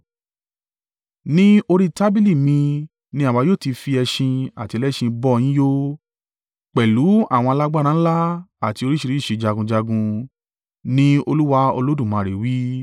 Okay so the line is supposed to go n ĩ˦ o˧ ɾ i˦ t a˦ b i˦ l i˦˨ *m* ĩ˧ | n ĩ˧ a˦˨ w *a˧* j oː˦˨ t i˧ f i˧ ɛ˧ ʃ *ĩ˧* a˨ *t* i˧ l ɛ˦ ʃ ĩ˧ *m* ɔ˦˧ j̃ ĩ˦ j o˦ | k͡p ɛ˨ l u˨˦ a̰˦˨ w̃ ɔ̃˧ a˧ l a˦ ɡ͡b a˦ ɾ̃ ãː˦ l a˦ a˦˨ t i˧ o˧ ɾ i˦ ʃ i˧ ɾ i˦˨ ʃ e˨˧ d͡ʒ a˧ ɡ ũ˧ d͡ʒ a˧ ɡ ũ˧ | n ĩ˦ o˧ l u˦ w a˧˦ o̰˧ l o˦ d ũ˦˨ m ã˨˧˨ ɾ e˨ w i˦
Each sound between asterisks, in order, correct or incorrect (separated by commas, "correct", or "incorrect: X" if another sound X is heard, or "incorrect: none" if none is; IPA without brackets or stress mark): correct, correct, correct, correct, incorrect: b